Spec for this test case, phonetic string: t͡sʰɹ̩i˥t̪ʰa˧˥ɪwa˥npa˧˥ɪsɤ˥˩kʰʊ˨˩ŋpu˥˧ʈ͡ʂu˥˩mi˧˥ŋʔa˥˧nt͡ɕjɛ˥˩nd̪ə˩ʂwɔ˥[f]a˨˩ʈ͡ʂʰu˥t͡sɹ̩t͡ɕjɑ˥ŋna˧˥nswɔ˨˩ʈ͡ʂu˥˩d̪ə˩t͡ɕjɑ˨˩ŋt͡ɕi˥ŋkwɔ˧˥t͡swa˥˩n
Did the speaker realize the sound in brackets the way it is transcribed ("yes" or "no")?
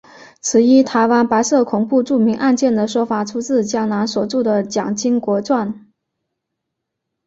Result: yes